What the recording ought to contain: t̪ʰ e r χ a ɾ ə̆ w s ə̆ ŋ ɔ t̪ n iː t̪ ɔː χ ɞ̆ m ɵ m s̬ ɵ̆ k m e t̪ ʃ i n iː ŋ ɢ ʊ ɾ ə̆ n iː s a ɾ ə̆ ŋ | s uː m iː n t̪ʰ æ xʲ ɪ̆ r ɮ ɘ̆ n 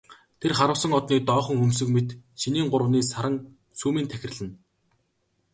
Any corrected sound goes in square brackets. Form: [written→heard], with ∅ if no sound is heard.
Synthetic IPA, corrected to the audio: t̪ʰ e r χ a ɾ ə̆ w s ə̆ ŋ ɔ t̪ n iː t̪ ɔː χ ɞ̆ [m→ŋ] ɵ m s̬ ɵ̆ k m e t̪ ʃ i n iː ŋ ɢ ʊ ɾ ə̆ n iː s a ɾ ə̆ ŋ | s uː m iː n t̪ʰ æ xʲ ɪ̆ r ɮ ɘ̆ n